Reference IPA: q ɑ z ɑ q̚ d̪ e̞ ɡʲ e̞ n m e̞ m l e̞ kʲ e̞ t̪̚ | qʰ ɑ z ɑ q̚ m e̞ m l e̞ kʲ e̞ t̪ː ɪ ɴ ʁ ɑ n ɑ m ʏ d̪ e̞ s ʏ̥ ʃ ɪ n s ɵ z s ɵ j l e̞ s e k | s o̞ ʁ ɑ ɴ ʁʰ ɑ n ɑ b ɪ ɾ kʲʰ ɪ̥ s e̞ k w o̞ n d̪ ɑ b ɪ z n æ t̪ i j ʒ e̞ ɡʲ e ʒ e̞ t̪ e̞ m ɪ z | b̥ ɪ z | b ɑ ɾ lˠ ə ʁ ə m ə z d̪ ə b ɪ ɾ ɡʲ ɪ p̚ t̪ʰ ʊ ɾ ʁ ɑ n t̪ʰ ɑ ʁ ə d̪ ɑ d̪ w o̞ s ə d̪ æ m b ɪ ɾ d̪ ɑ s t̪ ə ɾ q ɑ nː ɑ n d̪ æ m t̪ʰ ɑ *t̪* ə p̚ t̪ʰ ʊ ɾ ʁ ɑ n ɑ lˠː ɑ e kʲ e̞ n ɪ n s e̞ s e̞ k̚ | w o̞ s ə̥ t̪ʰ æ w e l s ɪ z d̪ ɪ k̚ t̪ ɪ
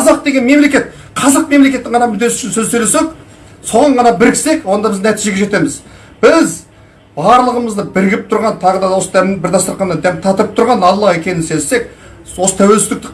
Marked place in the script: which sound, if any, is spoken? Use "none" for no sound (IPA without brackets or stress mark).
t̪